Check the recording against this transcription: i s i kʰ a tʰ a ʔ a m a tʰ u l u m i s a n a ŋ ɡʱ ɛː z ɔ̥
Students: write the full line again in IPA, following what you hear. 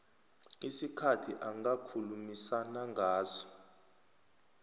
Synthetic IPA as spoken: i s i kʰ a tʰ i ʔ a ŋ a kʰ u l u m i s a n a ŋ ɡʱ aː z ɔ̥